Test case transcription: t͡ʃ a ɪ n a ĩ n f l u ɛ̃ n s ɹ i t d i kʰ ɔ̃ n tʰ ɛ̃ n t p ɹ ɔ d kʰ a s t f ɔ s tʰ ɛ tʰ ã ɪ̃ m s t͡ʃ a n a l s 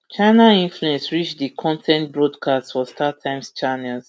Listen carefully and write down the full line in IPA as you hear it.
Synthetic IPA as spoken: t͡ʃ a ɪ n a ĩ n f l u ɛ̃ n s ɹ i t͡ʃ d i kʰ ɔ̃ n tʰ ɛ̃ n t b ɹ ɔ d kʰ a s t f ɔ s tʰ a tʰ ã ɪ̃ m s t͡ʃ a n ɛ l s